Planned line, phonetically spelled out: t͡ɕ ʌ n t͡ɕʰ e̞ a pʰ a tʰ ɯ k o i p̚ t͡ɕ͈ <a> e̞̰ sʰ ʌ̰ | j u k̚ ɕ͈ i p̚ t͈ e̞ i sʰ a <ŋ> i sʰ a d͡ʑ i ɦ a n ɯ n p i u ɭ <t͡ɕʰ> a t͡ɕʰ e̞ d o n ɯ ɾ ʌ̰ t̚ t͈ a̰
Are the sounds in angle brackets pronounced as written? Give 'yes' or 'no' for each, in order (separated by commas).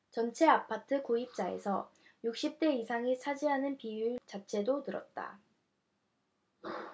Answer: yes, yes, no